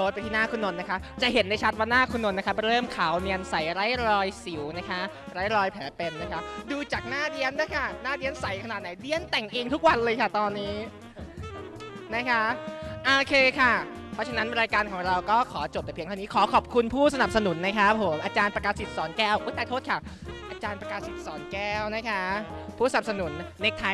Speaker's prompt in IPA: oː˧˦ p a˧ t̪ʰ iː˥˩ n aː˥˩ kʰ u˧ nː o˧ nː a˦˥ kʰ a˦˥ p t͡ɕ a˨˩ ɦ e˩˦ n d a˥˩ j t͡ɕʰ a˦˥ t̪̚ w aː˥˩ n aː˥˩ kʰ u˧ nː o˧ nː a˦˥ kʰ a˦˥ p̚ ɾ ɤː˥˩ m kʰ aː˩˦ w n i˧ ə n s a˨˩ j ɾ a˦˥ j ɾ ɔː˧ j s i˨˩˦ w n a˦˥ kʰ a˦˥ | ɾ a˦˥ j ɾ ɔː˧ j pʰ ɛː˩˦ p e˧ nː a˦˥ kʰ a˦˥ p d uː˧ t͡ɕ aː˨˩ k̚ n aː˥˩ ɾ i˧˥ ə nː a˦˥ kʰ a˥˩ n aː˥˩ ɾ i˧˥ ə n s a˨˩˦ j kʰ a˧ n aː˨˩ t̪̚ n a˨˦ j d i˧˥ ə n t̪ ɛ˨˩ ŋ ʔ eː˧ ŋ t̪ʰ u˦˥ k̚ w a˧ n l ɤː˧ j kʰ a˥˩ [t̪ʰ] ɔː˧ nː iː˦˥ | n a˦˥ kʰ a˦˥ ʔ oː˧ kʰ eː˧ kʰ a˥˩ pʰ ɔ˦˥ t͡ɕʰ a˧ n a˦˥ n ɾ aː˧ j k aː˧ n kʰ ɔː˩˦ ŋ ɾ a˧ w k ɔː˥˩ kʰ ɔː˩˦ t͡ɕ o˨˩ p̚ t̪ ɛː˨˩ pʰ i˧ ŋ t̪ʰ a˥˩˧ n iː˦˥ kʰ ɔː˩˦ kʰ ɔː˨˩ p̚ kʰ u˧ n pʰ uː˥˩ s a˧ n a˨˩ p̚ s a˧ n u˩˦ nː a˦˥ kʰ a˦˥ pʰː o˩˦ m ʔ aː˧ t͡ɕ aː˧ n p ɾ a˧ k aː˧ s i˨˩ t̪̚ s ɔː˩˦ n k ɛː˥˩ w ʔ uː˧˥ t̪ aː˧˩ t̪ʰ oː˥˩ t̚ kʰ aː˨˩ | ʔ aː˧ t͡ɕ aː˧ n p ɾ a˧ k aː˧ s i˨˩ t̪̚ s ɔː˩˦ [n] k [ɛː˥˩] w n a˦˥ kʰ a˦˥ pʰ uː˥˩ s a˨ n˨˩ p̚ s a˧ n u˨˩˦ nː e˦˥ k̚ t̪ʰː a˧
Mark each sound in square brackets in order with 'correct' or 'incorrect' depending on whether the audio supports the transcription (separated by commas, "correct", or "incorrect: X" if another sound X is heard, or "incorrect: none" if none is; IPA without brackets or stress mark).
incorrect: t̪, correct, correct